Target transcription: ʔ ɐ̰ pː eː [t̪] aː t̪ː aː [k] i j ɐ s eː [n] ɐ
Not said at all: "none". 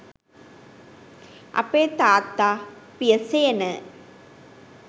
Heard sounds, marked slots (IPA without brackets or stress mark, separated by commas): t̪, p, n